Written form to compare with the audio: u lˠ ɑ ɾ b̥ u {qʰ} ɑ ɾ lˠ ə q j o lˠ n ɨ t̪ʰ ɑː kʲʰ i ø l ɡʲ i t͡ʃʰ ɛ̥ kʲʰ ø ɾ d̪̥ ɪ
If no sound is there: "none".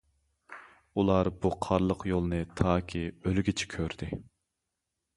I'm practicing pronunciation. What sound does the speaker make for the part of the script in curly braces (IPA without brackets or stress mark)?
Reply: qʰ